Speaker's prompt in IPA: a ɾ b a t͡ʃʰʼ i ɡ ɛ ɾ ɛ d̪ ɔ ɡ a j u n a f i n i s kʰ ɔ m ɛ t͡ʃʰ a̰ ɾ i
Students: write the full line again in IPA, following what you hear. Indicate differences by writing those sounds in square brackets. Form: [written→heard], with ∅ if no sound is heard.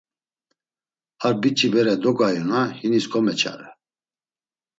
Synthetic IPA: a ɾ b [a→i] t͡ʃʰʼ i [ɡ→b] ɛ ɾ ɛ d̪ ɔ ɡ a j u n a [f→h] i n i s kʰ ɔ m ɛ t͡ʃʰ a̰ ɾ [i→ɛ]